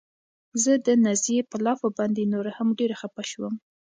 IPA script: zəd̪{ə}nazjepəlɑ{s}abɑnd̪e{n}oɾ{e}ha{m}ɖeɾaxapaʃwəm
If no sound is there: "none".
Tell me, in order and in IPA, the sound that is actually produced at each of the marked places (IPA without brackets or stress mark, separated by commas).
ə, f, n, a, m